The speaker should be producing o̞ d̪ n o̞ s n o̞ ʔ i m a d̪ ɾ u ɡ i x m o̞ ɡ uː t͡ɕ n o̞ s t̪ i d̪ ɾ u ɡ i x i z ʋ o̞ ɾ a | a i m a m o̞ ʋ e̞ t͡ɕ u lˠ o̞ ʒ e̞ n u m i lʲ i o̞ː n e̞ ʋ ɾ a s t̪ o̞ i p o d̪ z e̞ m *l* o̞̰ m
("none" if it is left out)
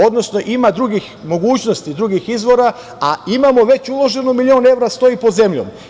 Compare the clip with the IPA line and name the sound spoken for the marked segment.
ʎ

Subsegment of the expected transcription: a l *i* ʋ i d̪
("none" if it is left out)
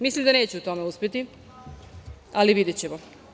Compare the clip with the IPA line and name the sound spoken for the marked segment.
i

